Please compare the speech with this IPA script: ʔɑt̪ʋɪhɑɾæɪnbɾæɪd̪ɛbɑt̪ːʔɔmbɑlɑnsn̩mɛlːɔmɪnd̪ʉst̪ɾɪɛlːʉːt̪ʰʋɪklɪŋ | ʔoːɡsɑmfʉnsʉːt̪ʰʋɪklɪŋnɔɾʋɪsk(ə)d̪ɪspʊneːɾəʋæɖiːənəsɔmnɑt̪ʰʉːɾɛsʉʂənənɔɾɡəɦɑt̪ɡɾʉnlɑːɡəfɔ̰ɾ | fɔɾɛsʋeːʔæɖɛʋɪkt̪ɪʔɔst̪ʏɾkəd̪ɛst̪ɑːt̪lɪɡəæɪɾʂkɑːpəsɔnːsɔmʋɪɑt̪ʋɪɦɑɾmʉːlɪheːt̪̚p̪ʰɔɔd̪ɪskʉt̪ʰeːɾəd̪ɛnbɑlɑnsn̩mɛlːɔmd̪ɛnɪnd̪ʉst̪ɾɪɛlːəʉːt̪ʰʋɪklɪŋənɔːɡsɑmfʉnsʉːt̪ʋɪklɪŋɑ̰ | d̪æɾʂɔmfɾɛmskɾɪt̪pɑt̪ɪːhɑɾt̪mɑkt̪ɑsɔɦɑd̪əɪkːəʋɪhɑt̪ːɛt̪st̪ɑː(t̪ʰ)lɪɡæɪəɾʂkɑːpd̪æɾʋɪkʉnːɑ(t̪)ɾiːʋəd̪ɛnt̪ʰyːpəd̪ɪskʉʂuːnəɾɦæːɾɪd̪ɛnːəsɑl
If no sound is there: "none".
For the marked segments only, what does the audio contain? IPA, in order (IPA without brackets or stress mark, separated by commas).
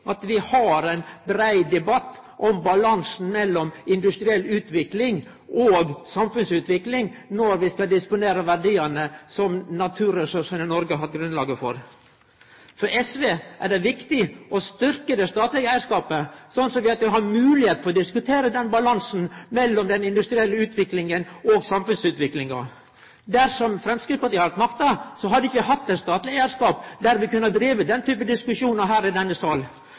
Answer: ɑ, t̪, d̪